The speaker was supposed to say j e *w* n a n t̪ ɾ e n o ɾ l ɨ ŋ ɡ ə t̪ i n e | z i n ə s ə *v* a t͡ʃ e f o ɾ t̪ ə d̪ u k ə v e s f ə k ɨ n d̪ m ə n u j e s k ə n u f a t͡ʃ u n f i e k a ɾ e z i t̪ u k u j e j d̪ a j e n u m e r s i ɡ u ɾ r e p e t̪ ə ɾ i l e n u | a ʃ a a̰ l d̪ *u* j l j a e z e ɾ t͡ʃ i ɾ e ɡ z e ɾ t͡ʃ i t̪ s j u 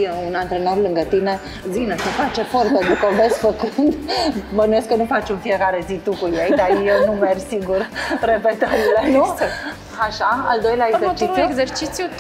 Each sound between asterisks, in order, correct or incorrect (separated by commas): incorrect, incorrect, incorrect